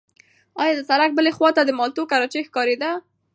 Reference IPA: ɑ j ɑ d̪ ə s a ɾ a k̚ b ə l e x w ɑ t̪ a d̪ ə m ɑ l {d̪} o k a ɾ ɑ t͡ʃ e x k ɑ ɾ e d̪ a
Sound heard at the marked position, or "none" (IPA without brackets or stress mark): t̪